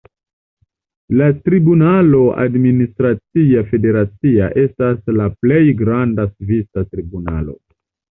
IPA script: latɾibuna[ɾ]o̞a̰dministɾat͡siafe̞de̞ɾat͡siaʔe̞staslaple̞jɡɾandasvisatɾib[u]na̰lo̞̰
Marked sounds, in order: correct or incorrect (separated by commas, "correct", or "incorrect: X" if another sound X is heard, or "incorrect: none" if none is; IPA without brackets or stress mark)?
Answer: incorrect: l, correct